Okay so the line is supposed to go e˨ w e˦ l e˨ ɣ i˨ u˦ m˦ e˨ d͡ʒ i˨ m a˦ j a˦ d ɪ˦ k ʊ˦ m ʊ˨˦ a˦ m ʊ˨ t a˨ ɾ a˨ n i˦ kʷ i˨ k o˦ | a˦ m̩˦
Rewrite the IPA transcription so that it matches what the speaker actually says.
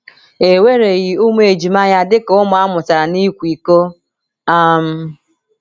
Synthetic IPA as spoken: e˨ w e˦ ɾ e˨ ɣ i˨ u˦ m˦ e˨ d͡ʒ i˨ m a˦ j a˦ d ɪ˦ k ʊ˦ m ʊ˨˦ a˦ m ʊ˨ t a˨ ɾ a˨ n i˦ kʷ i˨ k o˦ | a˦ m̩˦